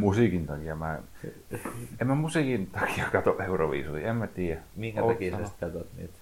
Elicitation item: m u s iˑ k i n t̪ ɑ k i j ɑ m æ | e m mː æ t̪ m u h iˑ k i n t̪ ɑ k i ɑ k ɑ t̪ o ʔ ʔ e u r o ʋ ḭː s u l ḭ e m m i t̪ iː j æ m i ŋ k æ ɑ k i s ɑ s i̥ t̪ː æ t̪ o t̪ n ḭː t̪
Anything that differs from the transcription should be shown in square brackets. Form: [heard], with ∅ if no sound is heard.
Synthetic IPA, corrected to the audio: m u s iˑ k i n t̪ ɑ k i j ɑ m æ | e m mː æ [∅] m u [s] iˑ k i n t̪ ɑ k i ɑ k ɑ t̪ o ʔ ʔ e u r o ʋ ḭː s u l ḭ e m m [æ] t̪ iː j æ m i ŋ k æ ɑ k i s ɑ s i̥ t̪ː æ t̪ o t̪ n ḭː t̪